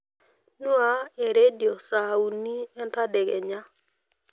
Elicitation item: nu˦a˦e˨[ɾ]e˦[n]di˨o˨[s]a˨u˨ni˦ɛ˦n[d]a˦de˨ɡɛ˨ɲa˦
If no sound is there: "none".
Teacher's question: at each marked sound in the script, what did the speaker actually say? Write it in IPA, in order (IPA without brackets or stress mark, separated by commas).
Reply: ɾ, none, s, t